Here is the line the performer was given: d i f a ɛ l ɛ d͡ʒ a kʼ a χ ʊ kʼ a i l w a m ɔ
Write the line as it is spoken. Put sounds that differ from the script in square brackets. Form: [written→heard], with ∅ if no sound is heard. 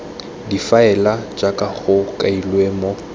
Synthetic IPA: d i f a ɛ l [ɛ→a] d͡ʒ a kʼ a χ ʊ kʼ a i l w [a→e] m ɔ

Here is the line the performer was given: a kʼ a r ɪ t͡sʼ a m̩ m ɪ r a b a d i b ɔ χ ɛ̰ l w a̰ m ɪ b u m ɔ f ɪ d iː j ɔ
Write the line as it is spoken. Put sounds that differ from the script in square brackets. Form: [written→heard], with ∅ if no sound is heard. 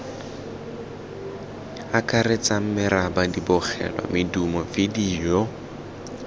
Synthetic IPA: a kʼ a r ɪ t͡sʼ a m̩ m ɪ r a b a d i b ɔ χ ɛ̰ l w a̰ m ɪ [b→d] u m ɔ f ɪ d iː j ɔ

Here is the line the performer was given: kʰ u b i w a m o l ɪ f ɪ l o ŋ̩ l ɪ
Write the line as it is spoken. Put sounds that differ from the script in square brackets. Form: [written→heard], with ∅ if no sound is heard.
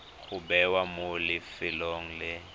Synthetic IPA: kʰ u b [i→ɛ] w a m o l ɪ f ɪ l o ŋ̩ l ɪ

